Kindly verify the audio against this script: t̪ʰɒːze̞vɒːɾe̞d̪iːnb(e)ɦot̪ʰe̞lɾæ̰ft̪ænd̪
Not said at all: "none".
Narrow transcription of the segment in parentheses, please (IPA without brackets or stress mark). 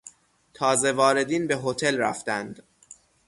e